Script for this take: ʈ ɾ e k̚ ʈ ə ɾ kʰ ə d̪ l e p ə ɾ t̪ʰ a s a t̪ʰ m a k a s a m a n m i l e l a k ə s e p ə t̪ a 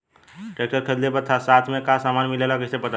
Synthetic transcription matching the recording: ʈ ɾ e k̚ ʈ ə ɾ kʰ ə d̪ l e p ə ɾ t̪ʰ a s a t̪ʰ m e k a s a m a n m i l e l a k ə s e p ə t̪ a